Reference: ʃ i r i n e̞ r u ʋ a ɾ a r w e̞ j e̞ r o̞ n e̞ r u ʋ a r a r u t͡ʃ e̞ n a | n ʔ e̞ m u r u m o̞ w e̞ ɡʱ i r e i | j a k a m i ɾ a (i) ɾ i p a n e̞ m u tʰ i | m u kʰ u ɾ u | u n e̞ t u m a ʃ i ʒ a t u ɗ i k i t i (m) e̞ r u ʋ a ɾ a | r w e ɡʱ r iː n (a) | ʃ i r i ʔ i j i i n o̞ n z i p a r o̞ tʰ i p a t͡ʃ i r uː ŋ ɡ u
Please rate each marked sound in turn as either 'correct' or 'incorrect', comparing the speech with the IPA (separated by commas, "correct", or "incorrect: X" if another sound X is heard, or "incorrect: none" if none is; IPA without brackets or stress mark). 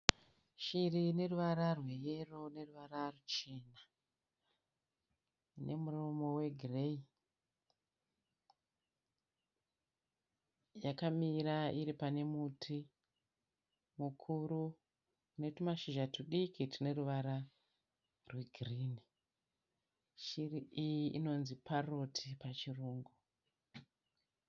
correct, incorrect: n, incorrect: i